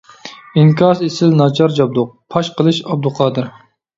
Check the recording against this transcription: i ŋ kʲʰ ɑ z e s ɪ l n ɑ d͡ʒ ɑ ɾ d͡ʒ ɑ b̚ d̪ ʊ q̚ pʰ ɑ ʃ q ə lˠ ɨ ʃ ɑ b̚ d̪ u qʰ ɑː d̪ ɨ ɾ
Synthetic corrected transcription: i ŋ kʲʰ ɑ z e s ɪ l n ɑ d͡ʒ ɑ ɾ d͡ʒ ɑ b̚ d̪ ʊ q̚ pʰ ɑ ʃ q ə lˠ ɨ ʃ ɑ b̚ d̪ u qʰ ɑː d̪ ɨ ɾ